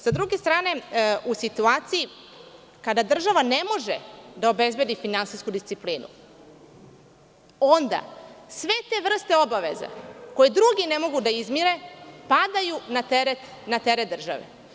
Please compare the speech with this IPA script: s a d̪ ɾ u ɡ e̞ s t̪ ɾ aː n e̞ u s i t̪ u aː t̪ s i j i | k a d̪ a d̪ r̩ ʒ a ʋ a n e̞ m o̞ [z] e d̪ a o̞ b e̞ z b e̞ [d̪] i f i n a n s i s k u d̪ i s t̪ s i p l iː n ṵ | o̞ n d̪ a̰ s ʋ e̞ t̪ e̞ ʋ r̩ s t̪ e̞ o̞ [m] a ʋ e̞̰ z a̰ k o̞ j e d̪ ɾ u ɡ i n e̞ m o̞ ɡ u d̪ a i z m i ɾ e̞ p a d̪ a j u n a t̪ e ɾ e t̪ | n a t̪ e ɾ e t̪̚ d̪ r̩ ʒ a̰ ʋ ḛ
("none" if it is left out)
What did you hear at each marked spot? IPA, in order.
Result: ʒ, d̪, b

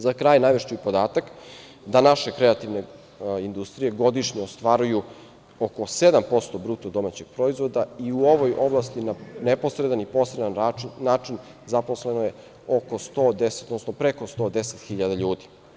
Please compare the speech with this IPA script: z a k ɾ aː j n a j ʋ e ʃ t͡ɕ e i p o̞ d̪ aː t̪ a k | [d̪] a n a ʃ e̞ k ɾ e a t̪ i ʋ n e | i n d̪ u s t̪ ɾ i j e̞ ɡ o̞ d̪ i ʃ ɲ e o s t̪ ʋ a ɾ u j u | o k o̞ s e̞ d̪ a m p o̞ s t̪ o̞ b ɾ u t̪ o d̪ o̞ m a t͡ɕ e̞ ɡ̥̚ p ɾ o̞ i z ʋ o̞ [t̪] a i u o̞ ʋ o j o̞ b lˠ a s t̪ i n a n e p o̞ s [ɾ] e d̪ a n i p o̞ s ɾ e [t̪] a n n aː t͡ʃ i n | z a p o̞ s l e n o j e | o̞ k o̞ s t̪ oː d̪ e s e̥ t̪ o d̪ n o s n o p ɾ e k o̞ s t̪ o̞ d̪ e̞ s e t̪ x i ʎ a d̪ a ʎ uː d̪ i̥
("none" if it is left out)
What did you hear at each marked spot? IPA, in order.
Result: d̪, d̪, ɾ, d̪

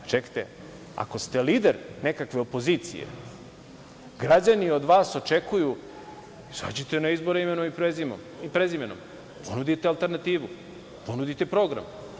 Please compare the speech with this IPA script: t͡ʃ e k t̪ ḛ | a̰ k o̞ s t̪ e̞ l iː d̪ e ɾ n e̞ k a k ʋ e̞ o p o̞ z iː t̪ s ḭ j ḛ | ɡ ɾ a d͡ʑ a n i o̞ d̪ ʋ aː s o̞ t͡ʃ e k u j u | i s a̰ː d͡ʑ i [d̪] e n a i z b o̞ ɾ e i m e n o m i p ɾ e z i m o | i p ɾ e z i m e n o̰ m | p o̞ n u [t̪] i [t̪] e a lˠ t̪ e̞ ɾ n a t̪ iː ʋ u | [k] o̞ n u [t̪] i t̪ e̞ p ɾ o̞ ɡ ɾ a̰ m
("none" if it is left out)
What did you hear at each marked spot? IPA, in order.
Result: t̪, d̪, t̪, p, d̪

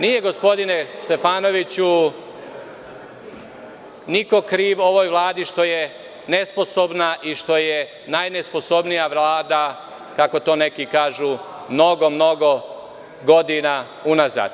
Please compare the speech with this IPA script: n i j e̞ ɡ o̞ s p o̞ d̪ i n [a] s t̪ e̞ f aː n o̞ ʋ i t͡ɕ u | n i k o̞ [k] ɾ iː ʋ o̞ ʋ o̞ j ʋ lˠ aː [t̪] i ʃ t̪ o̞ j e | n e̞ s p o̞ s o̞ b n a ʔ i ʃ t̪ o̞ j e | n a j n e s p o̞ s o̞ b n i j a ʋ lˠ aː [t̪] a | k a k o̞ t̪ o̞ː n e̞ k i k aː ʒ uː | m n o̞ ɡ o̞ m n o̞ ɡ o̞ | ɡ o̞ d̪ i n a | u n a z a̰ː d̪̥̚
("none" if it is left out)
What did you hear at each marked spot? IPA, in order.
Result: e, k, d̪, d̪

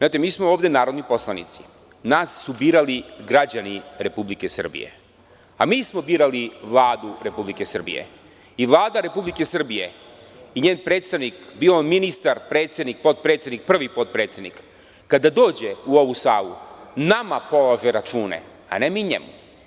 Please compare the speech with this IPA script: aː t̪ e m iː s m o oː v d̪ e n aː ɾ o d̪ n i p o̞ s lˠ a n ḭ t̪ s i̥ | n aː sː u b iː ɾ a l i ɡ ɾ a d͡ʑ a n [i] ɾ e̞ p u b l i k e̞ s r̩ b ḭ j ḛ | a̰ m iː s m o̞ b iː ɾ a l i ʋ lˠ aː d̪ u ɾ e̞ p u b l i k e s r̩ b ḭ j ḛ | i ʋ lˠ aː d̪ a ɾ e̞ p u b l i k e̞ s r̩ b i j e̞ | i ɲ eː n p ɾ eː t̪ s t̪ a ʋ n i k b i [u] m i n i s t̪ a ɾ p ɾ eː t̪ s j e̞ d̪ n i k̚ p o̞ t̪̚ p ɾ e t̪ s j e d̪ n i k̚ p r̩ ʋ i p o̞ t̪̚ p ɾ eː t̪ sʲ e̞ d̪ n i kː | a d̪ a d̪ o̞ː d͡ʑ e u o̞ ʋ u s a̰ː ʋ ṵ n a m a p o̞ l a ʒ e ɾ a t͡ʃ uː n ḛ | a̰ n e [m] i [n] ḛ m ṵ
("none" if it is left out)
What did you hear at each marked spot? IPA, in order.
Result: i, o, m, ɲ

